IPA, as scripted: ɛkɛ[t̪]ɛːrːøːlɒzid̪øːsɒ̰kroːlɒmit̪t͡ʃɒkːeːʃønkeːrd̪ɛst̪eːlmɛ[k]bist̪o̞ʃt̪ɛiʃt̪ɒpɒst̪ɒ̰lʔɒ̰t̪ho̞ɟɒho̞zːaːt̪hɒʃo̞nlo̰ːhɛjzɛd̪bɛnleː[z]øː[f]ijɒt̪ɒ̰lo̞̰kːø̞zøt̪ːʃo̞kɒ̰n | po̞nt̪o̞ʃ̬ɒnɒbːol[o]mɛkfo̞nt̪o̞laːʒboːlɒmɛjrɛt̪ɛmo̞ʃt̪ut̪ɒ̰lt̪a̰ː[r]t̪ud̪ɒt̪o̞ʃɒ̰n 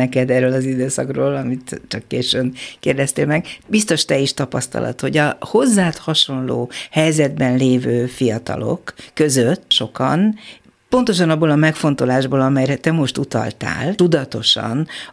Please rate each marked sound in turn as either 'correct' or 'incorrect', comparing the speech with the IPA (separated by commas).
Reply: incorrect, incorrect, incorrect, correct, incorrect, incorrect